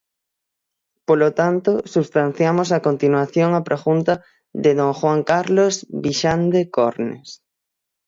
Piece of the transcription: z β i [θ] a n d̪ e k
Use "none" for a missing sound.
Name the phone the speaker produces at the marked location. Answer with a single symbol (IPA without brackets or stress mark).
ʃ